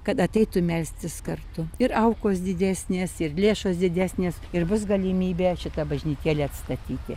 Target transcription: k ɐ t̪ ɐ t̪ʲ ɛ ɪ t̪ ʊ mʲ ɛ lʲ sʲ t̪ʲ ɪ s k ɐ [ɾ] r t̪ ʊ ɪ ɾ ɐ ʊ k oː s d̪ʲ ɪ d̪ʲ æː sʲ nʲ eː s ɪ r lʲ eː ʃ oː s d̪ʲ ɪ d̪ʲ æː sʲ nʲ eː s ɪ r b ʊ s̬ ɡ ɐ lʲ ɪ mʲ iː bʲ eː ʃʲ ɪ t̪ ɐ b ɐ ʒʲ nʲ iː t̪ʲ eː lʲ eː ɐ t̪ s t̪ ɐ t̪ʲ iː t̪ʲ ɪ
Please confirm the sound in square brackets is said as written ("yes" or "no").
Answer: no